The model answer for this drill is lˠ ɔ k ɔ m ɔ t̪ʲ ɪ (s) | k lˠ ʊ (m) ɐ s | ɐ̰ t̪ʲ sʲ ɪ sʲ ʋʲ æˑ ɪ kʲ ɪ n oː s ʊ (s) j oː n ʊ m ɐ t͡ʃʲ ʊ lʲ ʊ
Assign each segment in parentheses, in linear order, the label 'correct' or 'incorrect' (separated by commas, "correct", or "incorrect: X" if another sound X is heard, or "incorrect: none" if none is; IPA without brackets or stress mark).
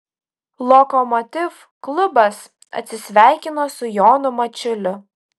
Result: incorrect: f, incorrect: b, incorrect: none